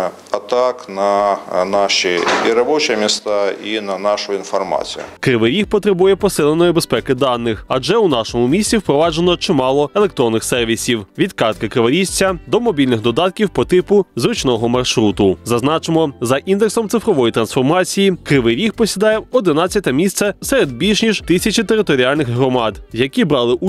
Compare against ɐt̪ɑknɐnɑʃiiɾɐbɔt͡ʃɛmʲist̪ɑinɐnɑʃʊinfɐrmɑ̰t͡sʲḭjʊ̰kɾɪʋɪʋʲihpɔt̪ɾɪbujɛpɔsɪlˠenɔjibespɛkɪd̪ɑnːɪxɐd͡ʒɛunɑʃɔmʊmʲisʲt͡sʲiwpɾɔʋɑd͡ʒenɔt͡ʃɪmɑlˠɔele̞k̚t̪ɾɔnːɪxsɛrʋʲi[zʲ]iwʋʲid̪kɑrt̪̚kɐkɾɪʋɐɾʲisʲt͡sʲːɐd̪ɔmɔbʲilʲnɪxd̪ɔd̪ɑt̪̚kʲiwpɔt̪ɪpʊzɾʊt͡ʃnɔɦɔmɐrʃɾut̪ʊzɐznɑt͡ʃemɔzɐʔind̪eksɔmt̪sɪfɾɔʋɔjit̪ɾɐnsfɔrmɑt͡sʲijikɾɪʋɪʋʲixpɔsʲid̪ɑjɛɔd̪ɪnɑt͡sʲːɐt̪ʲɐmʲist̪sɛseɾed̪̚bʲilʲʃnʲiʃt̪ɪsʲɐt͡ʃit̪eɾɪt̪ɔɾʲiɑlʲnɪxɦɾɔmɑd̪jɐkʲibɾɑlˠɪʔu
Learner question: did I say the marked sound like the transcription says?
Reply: no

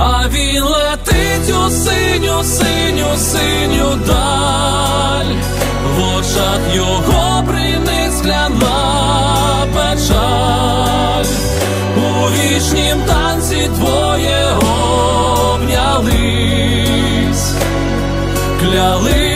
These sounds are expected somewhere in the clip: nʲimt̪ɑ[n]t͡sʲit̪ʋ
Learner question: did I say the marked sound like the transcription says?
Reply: yes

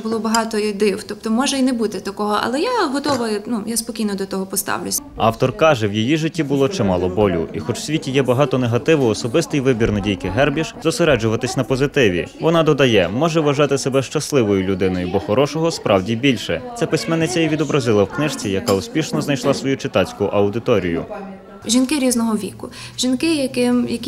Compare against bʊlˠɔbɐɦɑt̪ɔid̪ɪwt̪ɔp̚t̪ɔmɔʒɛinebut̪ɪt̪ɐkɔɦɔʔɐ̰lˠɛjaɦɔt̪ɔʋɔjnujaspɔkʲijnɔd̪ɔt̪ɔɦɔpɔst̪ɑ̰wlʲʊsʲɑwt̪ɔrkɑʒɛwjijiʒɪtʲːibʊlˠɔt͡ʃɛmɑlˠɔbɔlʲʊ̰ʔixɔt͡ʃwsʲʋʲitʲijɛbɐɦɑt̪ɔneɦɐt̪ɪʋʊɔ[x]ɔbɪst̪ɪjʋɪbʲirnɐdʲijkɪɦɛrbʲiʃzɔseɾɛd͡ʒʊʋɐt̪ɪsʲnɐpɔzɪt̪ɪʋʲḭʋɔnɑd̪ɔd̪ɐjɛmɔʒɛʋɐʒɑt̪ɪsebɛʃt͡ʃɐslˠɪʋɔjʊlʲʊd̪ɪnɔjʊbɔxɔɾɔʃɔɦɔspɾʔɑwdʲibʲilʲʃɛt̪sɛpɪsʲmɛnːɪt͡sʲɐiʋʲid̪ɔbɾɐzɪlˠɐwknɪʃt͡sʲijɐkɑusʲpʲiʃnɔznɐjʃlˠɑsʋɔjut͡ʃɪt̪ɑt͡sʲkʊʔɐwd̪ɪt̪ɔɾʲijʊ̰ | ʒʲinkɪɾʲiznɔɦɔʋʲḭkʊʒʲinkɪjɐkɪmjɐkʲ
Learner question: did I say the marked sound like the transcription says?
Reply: no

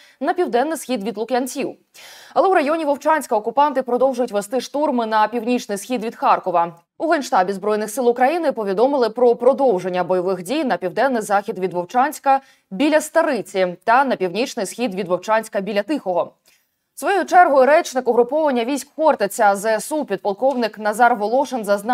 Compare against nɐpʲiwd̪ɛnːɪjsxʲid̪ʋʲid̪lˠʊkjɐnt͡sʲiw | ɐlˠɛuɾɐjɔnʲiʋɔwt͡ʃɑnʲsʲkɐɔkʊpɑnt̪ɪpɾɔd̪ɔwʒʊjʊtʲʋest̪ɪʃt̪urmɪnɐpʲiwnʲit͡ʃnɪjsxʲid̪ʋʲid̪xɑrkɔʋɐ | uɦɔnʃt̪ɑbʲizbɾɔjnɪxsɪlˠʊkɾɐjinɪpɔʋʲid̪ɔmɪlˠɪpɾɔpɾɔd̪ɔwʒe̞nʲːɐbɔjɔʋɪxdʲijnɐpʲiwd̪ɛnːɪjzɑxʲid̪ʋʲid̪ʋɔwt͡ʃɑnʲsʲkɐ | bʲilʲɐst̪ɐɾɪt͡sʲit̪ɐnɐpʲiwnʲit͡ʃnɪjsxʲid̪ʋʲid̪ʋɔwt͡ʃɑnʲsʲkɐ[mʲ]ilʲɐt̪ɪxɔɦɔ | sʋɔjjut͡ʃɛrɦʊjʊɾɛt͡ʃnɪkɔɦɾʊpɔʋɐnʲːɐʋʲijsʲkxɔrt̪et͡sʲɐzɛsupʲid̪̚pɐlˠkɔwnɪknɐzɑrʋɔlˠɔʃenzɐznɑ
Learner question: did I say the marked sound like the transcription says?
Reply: no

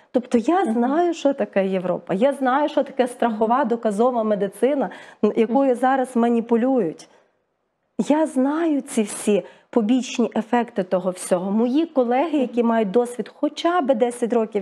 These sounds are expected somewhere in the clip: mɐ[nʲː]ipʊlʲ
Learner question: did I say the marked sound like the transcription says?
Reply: no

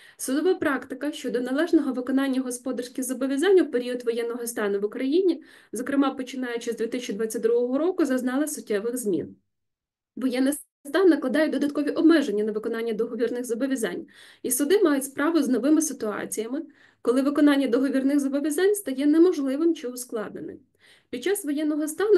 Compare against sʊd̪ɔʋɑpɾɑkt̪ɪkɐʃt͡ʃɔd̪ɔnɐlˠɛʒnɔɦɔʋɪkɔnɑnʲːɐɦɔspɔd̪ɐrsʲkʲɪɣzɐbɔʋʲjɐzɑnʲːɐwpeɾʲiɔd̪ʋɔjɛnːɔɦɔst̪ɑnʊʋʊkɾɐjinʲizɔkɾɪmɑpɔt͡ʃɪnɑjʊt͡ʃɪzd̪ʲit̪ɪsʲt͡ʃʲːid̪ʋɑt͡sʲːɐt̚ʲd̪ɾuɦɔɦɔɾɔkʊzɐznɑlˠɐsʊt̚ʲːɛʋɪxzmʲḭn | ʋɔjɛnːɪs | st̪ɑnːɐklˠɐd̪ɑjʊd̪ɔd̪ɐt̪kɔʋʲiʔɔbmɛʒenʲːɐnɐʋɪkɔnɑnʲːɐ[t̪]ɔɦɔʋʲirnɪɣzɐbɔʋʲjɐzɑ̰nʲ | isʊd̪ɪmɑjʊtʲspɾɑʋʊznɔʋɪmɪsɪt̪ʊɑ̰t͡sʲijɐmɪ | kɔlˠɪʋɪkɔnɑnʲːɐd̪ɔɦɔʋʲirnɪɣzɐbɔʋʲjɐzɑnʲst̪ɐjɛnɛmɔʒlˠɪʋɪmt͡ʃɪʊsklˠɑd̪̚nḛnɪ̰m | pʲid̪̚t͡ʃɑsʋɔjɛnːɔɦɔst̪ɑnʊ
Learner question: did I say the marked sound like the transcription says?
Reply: no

